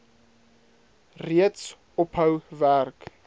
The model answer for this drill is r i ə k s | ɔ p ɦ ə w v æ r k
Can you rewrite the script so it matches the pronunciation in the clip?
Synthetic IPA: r i ə t s | ɔ p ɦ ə w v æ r k